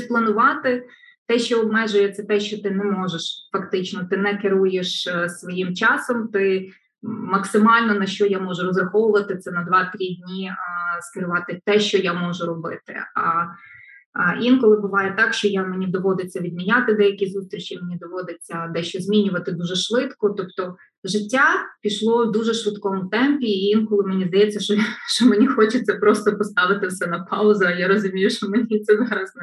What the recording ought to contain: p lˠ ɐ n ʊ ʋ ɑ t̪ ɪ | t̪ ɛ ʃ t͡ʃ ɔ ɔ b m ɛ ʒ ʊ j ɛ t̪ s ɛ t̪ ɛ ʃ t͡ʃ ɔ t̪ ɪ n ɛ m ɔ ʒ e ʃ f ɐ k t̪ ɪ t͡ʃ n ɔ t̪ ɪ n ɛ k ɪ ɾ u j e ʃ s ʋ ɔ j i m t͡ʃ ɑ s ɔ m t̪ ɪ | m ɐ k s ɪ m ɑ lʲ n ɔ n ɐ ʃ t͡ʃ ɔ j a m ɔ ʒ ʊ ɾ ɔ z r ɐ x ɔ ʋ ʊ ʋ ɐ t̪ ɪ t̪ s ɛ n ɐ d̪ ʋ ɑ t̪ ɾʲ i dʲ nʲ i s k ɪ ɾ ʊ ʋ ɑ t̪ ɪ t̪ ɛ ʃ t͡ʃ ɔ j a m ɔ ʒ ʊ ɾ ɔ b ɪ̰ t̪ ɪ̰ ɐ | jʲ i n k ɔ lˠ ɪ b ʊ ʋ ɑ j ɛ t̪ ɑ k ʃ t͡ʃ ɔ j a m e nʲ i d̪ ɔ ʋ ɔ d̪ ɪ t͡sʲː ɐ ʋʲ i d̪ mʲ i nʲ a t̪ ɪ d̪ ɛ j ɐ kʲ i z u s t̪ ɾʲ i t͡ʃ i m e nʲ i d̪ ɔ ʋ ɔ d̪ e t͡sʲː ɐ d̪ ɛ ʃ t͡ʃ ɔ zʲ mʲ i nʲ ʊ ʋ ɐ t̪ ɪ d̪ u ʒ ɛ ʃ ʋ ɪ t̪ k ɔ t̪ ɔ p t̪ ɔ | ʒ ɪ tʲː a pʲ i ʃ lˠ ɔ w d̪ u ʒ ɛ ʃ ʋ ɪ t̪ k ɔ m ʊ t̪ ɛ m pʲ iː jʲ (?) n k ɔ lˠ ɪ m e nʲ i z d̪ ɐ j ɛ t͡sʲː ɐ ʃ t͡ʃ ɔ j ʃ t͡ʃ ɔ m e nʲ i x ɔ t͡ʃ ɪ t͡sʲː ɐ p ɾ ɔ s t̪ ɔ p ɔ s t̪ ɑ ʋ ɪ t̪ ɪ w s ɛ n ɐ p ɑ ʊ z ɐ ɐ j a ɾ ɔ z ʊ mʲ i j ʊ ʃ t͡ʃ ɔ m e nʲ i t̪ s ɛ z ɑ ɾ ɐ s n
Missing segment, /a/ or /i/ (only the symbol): i